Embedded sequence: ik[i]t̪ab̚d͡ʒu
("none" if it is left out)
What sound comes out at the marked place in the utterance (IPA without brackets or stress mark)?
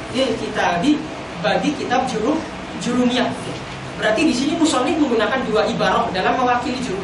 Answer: i